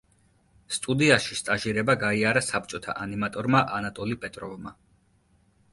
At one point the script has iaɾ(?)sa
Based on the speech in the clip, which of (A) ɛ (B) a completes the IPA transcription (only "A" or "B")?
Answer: B